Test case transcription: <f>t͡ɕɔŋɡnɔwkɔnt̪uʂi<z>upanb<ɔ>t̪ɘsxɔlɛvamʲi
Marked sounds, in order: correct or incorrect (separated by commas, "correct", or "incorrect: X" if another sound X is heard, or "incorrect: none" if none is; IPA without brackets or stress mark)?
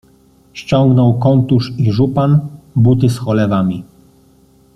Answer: incorrect: ɕ, incorrect: ʐ, incorrect: u